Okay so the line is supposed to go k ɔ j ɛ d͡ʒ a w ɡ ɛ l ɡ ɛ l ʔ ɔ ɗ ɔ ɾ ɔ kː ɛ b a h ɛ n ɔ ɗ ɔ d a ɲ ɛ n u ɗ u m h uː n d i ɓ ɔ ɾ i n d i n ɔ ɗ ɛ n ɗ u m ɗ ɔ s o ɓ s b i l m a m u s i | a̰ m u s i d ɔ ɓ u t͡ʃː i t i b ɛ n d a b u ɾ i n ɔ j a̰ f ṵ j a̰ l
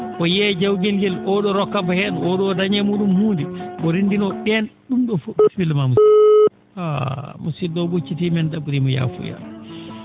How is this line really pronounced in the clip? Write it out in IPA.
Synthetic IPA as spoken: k ɔ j ɛ d͡ʒ a w ɡ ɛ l ɡ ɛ l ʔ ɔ ɗ ɔ ɾ ɔ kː a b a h ɛ n ɔ ɗ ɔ d a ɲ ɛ m u ɗ u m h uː n d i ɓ ɔ ɾ i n d i n ɔ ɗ ɛ n ɗ u m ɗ ɔ f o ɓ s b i l m a m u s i | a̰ m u s i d ɔ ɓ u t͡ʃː i t i m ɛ n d a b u ɾ i m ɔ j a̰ f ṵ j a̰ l